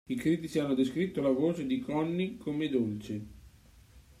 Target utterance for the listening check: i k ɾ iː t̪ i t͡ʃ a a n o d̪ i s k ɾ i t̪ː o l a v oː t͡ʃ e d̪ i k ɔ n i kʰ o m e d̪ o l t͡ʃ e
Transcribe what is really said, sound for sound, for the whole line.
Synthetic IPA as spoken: i k ɾ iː t̪ i t͡ʃ i a nː o d̪ e s k ɾ i t̪ː o l a v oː t͡ʃ e d̪ i k ɔ nː i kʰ o m e d̪ o l t͡ʃ e